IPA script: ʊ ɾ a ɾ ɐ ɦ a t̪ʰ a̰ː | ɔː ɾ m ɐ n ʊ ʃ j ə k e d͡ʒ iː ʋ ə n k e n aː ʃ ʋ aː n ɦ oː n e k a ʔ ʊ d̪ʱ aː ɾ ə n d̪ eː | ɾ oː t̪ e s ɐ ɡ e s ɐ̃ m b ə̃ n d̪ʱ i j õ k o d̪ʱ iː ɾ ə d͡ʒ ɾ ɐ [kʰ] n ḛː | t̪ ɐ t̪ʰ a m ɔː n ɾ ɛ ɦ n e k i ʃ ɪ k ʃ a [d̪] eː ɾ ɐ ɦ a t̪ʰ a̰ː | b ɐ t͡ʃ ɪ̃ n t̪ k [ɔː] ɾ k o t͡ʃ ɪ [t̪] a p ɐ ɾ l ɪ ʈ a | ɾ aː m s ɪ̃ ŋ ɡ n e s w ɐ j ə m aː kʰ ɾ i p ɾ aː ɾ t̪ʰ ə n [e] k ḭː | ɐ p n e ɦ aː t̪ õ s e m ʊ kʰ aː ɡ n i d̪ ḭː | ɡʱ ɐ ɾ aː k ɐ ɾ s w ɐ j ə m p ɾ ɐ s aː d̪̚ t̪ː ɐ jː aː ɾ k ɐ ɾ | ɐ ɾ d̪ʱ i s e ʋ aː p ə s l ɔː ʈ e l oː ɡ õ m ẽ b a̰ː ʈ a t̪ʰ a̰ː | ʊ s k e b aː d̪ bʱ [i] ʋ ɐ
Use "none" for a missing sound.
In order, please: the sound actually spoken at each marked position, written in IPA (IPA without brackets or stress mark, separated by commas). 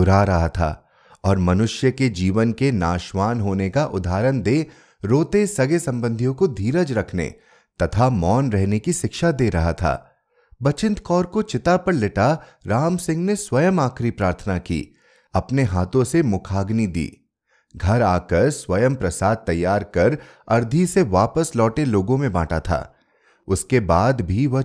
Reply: kʰ, d̪, ɔː, t̪, a, i